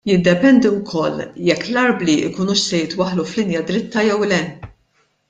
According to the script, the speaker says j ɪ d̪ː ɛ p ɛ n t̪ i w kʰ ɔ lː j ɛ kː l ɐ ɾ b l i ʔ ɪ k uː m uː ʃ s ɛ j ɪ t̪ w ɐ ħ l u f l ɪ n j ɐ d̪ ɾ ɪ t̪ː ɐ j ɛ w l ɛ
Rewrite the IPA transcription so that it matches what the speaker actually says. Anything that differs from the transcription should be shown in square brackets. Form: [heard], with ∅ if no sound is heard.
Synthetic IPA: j ɪ d̪ː ɛ p ɛ n [d̪] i w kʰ ɔ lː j ɛ kː l ɐ ɾ b l i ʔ ɪ k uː [n] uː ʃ s ɛ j ɪ t̪ w ɐ ħ l u f l ɪ n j ɐ d̪ ɾ ɪ t̪ː ɐ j ɛ w l ɛ